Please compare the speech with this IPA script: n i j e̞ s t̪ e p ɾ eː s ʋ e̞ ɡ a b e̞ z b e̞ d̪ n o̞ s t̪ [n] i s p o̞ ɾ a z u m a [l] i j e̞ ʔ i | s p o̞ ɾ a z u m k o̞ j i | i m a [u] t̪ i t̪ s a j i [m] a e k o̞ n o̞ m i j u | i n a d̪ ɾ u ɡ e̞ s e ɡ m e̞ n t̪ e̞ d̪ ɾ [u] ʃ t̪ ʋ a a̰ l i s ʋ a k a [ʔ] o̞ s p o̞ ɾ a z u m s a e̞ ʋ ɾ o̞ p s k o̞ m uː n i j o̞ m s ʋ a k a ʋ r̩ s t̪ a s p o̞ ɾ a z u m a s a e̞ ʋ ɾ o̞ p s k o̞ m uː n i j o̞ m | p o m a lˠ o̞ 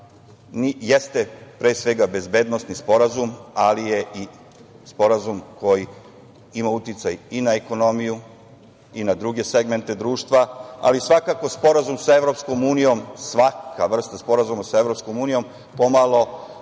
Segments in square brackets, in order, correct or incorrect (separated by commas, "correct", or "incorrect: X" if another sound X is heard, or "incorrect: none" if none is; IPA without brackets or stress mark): correct, correct, correct, incorrect: n, incorrect: uː, incorrect: k